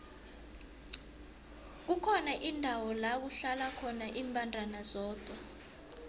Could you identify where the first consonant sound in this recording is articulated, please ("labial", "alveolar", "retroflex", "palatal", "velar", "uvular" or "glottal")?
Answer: velar